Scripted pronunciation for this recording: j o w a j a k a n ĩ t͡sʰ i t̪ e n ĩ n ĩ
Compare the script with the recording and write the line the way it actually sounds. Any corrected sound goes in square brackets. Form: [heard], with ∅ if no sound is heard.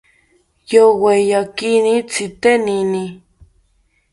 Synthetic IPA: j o w [e] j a k [i] n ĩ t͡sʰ i t̪ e n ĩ n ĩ